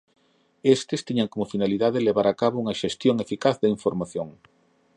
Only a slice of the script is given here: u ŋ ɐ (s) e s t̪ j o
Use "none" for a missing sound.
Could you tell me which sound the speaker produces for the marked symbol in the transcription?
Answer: ʃ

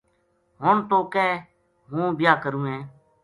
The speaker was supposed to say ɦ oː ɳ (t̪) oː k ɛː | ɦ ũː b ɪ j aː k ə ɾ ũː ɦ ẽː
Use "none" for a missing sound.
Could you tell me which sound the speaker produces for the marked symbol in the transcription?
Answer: t̪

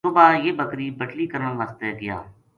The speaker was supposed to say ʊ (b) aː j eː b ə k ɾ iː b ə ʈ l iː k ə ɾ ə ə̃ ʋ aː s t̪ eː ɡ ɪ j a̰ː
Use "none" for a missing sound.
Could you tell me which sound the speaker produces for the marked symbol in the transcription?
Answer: b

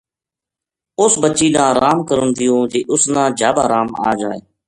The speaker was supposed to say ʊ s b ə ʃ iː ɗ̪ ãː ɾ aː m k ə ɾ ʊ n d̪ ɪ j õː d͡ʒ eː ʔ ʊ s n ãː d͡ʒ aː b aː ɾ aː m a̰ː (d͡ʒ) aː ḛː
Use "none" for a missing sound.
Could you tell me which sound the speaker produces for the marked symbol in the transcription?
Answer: d͡ʒ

